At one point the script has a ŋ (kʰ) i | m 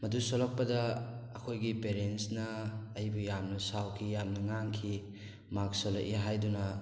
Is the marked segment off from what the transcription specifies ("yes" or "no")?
no